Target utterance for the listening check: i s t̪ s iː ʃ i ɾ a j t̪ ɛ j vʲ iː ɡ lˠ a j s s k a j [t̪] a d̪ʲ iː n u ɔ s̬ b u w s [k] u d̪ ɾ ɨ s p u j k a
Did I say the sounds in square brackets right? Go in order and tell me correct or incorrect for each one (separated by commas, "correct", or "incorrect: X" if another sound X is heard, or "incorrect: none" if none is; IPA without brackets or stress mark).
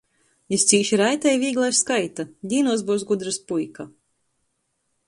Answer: correct, incorrect: ɡ